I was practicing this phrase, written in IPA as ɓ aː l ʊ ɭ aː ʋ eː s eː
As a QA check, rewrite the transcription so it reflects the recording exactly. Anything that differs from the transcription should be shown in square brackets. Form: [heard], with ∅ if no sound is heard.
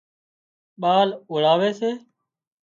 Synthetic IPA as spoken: ɓ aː l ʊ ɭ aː ʋ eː s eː